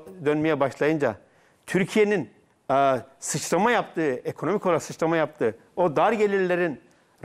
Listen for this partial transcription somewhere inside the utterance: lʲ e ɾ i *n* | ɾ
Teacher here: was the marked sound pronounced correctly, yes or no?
yes